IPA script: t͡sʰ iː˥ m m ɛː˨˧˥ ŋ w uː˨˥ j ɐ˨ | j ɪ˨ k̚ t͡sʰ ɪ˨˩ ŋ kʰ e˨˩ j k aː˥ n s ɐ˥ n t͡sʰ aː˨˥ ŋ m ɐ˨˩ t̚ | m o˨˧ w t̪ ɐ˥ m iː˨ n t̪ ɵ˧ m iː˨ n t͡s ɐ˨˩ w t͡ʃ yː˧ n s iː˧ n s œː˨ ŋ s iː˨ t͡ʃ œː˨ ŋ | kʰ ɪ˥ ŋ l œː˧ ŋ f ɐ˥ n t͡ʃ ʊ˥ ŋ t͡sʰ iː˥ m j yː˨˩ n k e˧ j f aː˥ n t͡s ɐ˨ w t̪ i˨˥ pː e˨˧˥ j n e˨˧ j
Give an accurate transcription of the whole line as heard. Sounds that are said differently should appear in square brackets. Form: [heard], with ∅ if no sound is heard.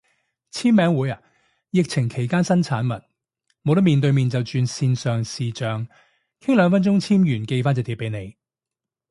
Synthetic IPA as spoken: t͡sʰ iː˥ m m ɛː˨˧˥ ŋ w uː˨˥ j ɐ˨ | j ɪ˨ k̚ t͡sʰ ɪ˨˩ ŋ kʰ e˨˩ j k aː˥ n s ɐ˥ n t͡sʰ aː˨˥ [n] m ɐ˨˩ t̚ | m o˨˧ w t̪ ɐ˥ m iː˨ n t̪ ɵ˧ m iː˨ n t͡s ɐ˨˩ w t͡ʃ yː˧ n s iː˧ n s œː˨ ŋ s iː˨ t͡ʃ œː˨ ŋ | kʰ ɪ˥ ŋ l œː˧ ŋ f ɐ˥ n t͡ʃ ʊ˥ ŋ t͡sʰ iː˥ m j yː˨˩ n k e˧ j f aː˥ n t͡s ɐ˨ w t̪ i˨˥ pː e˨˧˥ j n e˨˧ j